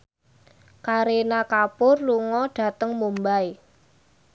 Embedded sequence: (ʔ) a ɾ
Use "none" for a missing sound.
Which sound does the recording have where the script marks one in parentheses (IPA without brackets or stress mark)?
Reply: k